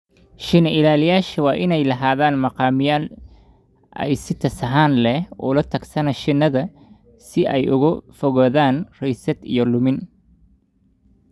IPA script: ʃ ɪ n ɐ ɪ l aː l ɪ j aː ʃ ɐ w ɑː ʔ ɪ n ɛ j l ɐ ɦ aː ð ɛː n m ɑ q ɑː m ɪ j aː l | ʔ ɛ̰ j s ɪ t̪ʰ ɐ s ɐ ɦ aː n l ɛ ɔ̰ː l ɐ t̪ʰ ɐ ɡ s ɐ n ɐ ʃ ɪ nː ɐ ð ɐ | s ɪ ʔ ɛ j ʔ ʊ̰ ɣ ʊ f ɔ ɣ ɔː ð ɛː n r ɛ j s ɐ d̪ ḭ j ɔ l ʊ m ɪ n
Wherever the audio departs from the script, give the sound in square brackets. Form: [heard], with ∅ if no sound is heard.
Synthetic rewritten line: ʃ ɪ n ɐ ɪ l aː l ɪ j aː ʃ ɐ w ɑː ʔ ɪ n ɛ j l ɐ ɦ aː ð [aː] n m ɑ q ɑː m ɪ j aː l | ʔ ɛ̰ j s ɪ t̪ʰ ɐ s ɐ ɦ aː n l ɛ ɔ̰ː l ɐ t̪ʰ ɐ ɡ s ɐ n ɐ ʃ ɪ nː ɐ ð ɐ | s ɪ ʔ ɛ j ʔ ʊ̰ ɣ ʊ f ɔ ɣ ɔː ð [aː] n r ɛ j s ɐ d̪ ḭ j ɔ l ʊ m ɪ n